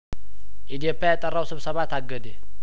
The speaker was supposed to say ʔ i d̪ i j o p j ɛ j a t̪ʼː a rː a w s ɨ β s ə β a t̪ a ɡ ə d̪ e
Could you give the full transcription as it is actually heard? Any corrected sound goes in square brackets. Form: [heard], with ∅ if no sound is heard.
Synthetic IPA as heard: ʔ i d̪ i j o p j [a] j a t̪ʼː [ə] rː a w s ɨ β s ə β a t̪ a ɡ ə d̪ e